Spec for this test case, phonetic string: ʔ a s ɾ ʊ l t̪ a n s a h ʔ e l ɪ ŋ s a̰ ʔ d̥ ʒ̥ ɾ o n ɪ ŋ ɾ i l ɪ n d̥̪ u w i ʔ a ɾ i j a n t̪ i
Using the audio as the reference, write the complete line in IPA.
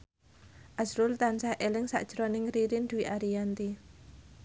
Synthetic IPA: ʔ a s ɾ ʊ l t̪ a n s a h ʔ e l ɪ ŋ s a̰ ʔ d̥ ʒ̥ ɾ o n ɪ ŋ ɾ i ɾ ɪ n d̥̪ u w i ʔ a ɾ i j a n t̪ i